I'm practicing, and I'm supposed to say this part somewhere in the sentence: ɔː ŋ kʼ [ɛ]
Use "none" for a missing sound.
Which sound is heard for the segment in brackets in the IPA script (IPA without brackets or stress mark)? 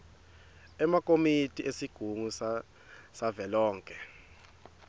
ɛ